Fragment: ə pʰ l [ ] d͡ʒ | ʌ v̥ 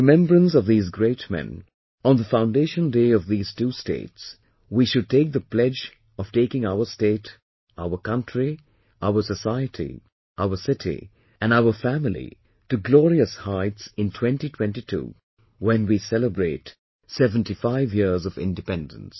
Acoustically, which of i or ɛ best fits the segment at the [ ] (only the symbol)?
ɛ